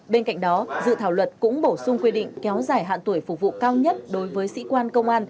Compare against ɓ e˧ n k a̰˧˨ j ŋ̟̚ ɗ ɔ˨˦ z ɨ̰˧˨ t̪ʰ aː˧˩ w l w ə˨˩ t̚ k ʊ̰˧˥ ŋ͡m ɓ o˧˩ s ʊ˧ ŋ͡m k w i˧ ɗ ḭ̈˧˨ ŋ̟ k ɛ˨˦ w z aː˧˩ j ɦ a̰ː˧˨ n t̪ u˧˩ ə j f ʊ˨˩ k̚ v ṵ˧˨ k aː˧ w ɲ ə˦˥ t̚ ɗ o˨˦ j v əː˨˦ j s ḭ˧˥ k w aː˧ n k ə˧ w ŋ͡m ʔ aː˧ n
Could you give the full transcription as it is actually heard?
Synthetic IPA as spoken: ɓ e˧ n k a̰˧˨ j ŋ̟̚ ɗ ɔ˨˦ z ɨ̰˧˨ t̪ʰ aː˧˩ w l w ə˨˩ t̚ k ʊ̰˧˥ ŋ͡m ɓ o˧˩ s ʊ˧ ŋ͡m k w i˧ ɗ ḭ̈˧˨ ŋ̟ k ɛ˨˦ w z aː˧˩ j ɦ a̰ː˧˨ n t̪ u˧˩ ə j f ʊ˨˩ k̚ v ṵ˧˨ k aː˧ w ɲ ə˦˥ t̚ ɗ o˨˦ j v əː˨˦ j s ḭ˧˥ k w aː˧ n k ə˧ w ŋ͡m ʔ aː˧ n